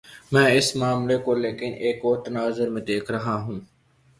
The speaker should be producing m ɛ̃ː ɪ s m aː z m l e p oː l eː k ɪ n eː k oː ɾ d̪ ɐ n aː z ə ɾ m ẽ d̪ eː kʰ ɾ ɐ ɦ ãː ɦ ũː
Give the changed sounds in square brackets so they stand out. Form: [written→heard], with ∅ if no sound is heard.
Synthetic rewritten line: m ɛ̃ː ɪ s m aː [z→∅] m l e [p→k] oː l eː k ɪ n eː k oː ɾ [d̪→t̪] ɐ n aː z ə ɾ m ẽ d̪ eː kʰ ɾ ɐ ɦ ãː ɦ ũː